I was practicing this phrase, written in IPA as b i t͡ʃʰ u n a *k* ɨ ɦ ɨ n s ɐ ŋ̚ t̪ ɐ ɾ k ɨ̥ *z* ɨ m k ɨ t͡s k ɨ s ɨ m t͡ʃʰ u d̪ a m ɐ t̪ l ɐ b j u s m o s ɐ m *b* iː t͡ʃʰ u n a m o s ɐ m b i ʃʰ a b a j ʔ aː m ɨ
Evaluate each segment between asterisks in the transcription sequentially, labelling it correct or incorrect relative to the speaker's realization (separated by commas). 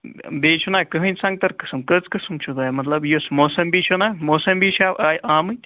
correct, incorrect, correct